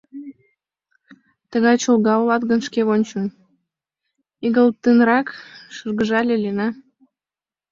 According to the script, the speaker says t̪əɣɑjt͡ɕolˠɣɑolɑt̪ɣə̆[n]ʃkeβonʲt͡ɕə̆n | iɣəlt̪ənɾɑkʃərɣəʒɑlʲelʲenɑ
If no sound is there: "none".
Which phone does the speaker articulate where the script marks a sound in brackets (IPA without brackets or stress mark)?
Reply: n